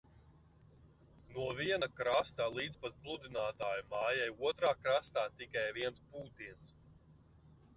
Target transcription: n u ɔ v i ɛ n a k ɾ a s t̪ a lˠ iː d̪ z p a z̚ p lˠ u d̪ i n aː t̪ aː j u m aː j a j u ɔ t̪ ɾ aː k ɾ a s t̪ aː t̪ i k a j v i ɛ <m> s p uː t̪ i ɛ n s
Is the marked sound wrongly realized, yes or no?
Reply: yes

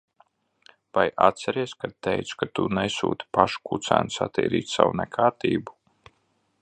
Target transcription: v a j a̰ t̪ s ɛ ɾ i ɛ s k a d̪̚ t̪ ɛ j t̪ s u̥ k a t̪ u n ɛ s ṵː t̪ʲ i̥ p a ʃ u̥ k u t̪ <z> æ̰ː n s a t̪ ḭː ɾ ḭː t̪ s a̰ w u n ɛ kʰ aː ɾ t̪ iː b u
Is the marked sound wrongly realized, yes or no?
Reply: yes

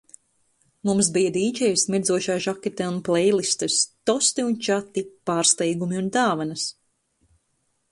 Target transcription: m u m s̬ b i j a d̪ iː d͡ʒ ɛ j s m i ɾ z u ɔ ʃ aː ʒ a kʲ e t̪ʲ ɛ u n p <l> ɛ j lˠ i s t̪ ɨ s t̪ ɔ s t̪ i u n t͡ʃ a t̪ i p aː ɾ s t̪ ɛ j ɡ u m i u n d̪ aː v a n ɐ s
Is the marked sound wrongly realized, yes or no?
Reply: no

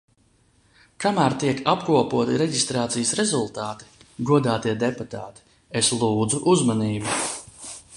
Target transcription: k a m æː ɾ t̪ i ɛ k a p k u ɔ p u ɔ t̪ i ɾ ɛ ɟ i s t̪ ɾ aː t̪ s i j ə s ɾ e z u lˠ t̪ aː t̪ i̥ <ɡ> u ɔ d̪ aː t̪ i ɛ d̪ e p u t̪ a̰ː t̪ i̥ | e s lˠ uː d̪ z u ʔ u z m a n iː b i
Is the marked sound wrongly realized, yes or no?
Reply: no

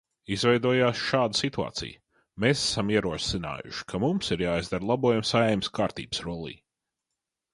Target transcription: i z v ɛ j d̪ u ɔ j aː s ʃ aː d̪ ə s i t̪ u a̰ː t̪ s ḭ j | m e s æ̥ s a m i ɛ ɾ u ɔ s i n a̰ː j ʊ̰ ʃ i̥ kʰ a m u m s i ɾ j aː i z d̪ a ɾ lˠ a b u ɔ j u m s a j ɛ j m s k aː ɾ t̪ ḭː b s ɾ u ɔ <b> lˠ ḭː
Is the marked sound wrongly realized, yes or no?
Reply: yes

